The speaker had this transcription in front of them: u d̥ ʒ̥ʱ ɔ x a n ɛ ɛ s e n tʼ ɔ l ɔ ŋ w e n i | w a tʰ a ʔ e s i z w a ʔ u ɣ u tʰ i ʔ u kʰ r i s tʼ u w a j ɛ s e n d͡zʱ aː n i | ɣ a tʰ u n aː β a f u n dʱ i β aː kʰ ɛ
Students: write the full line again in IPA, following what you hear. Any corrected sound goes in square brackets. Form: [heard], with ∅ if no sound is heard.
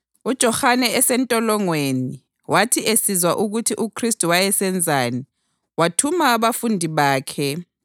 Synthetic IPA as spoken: u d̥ ʒ̥ʱ ɔ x a n ɛ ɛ s [ɛ] n tʼ ɔ l ɔ ŋ w e n i | w a tʰ [i] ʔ e s i z w a ʔ u ɣ u tʰ i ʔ u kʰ r i s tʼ u w a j ɛ s [ɛ] n d͡zʱ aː n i | [w] a tʰ u [m] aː β a f u n dʱ i β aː kʰ ɛ